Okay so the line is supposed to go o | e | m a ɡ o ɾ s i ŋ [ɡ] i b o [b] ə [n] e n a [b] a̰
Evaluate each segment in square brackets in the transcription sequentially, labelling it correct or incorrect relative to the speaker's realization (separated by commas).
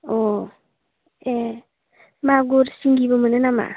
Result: correct, incorrect, correct, incorrect